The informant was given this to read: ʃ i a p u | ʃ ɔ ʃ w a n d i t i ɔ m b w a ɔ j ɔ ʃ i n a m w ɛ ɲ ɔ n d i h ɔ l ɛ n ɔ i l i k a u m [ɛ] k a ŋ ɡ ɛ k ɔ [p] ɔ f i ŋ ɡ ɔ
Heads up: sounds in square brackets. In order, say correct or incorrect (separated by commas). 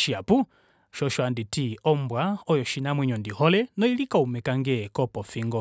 correct, correct